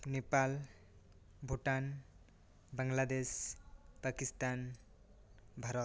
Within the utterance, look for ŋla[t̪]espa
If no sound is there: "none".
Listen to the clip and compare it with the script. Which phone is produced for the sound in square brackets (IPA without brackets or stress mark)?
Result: d̪